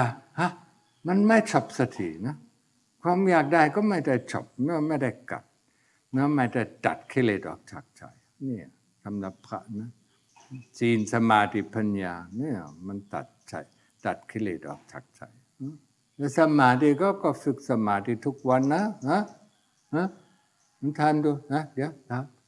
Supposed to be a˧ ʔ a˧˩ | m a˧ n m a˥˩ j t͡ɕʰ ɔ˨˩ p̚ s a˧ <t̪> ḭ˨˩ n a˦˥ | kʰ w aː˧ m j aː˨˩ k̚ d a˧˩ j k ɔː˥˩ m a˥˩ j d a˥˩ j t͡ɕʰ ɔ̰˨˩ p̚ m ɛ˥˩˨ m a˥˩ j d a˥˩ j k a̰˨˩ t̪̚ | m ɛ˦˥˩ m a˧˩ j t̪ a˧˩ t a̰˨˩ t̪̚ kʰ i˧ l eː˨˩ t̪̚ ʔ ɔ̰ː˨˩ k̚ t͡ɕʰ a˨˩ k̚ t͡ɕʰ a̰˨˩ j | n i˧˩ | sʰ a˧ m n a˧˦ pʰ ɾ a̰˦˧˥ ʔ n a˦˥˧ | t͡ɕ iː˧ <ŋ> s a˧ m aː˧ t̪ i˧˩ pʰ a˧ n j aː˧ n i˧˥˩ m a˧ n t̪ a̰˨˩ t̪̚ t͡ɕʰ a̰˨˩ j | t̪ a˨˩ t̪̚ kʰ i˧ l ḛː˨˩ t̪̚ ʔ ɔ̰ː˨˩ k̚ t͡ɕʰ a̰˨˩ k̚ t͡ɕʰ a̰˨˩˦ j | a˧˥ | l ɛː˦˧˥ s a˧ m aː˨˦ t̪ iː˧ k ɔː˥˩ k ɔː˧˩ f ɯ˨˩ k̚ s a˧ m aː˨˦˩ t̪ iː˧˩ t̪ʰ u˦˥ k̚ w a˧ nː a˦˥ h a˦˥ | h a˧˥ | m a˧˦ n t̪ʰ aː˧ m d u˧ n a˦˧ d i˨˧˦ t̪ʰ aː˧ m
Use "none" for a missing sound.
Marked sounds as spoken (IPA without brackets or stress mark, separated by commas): t̪ʰ, n